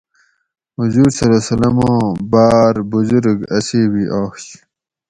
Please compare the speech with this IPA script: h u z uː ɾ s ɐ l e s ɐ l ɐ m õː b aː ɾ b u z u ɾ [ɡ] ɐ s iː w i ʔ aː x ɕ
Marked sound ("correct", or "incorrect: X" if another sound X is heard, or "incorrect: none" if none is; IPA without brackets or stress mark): correct